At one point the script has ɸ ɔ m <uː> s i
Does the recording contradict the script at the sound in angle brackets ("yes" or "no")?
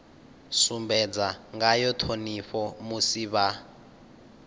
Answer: yes